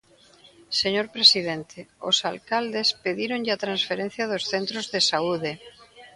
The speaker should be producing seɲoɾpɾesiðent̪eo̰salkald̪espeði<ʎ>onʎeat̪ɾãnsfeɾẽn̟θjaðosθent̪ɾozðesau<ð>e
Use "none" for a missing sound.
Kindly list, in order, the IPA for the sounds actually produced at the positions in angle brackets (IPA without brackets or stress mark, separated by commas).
ɾ, ð